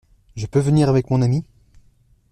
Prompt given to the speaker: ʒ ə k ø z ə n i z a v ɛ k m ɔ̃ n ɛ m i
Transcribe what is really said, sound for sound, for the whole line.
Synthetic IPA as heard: ʒ ə p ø v ə n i ʁ a v ɛ k m ɔ̃ n a m i